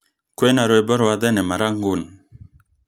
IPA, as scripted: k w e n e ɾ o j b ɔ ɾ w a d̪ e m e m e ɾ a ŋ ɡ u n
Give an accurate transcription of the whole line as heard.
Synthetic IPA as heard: k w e n a ɾ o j b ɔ ɾ w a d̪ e n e m a ɾ a ŋ ɡ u n